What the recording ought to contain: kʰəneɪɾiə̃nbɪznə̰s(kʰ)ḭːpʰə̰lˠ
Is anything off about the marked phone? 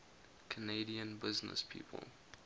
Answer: yes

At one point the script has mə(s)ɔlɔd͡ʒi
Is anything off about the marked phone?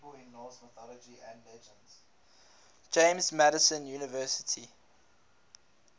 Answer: yes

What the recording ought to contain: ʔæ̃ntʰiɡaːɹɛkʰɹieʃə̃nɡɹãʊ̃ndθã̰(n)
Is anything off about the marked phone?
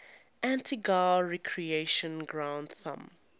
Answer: yes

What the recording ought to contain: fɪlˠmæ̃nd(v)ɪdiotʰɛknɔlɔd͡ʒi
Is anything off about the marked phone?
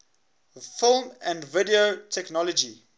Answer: no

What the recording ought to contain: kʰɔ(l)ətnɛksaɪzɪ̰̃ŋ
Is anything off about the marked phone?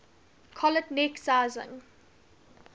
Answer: no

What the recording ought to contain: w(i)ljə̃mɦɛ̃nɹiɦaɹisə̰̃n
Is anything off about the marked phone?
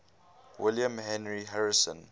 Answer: yes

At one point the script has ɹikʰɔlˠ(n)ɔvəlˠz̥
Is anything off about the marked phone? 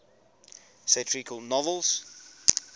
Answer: no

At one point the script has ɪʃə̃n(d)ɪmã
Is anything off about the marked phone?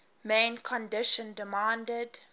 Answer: no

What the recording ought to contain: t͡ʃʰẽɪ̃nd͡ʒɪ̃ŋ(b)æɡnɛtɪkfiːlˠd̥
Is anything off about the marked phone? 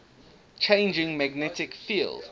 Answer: yes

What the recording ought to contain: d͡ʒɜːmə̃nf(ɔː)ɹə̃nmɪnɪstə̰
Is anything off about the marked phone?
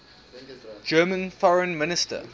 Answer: yes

